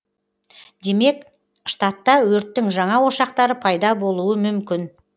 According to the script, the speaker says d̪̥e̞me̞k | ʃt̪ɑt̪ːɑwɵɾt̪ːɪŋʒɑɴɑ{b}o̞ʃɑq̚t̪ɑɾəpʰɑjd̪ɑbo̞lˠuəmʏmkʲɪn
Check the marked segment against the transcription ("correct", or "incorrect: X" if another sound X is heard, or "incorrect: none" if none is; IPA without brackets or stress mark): incorrect: w